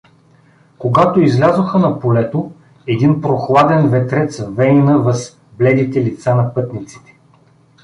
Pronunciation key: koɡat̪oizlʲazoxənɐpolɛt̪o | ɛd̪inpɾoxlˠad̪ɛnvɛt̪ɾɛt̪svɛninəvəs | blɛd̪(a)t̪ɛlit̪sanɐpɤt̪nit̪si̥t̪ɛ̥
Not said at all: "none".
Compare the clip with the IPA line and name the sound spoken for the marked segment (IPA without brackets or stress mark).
i